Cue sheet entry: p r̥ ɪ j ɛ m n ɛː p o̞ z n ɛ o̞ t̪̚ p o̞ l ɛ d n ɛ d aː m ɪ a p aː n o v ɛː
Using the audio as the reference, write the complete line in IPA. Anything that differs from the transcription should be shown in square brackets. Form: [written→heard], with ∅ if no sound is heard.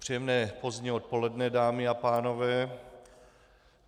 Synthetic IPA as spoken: p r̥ [ɪ→i] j ɛ m n ɛː p o̞ z [n→ɲ] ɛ o̞ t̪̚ p o̞ l ɛ d n ɛ d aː m ɪ a p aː n o v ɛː